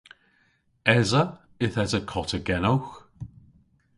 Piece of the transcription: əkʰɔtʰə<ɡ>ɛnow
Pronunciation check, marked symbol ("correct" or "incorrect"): correct